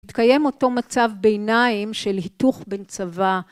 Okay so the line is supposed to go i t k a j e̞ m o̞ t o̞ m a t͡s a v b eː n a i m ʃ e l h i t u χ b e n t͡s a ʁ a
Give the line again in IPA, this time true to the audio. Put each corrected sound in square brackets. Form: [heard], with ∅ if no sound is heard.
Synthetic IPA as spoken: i t k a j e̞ m o̞ t o̞ m a t͡s a v b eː n a i m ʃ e l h i t u χ b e n t͡s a [v] a

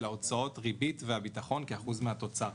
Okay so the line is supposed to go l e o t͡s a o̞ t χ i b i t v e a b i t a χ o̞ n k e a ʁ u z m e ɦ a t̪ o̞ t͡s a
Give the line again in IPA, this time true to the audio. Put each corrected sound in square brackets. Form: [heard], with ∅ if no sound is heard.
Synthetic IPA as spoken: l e o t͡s a o̞ t [ʁ] i b i t v e a b i t a χ o̞ n k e a [χ] u z m e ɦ a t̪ o̞ t͡s a

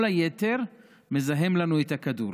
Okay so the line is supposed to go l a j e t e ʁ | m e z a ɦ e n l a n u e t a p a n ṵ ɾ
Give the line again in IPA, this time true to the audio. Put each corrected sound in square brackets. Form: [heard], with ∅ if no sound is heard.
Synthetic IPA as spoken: l a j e t e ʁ | m e z a ɦ e [m] l a n u e t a [k] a [d] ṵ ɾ

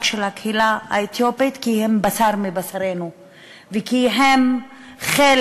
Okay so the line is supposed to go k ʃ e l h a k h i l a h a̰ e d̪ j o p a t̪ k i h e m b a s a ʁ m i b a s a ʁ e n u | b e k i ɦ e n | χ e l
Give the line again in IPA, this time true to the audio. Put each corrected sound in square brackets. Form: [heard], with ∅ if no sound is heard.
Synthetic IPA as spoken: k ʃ e l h a k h i l a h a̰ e [t̪] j o p [i] t̪ k i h e m b a s a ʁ m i b a s a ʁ e n u | [v] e k i ɦ e [m] | χ e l

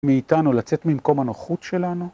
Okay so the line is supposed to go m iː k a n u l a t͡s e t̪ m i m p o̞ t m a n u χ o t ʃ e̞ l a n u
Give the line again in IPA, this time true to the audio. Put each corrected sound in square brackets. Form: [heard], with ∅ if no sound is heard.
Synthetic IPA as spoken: m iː [t] a n u l a t͡s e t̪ m i m [k] o̞ [∅] m a n [o] χ [u] t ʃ e̞ l a n u

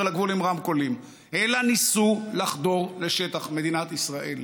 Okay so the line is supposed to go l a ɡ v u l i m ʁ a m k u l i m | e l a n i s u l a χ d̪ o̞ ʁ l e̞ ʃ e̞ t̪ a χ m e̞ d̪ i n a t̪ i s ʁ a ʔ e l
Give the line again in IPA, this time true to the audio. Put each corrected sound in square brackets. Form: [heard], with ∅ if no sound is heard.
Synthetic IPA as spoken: l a ɡ v u l i m ʁ a m k [o] l i m | e l a n i s u l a χ d̪ o̞ ʁ l e̞ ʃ e̞ t̪ a χ m e̞ d̪ i n a t̪ i s ʁ a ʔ e l

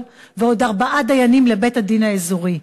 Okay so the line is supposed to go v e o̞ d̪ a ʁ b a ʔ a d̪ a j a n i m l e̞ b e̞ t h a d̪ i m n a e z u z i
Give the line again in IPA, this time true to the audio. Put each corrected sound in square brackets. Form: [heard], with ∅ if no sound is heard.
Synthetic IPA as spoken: v e o̞ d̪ a ʁ b a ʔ a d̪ a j a n i m l e̞ b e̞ t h a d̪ i [∅] n a e z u [ʁ] i

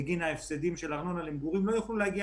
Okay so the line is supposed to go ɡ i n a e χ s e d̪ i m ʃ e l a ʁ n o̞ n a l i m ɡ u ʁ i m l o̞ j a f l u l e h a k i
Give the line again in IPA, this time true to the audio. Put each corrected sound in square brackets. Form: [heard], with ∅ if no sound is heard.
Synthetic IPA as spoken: ɡ i n a e [f] s e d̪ i m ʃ e l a ʁ n o̞ n a l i m ɡ u ʁ i m l o̞ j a [χ] l u l e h a [ɡ] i

